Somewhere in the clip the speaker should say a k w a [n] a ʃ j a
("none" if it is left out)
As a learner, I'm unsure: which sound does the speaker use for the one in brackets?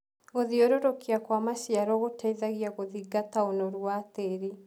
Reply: m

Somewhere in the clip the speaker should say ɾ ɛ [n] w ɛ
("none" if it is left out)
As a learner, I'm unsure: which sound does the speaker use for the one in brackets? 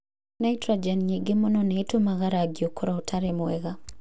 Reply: m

